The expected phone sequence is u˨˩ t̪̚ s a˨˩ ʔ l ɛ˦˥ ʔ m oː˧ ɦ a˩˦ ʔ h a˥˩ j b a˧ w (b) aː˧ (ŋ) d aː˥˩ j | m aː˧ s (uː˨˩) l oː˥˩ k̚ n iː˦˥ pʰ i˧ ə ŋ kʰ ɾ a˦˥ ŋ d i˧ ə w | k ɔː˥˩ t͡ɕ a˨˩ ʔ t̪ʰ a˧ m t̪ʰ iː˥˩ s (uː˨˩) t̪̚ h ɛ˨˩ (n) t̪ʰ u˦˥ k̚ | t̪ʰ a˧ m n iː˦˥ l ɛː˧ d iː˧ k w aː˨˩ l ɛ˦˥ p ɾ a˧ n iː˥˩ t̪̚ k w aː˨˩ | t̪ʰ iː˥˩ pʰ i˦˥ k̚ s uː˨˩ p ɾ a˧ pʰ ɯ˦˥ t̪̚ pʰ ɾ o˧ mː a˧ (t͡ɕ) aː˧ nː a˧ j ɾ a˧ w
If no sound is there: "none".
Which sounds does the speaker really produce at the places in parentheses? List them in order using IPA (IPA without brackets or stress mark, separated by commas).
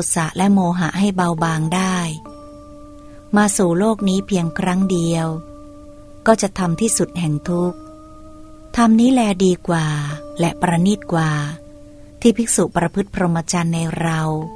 b, ŋ, uː˨˩, u˨˩, ŋ, t͡ɕ